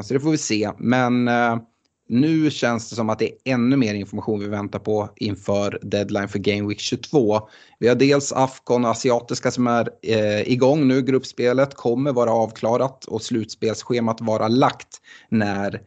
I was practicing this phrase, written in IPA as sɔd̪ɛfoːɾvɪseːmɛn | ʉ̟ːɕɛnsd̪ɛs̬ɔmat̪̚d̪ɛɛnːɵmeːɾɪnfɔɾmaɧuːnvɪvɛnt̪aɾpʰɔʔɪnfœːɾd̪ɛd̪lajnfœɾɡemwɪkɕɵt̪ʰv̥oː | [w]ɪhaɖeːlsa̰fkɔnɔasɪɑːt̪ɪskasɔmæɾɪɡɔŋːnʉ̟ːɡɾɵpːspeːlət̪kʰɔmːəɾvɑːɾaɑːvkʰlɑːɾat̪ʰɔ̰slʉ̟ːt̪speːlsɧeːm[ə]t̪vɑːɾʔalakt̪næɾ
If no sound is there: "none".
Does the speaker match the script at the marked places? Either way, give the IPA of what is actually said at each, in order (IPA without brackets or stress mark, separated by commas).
v, a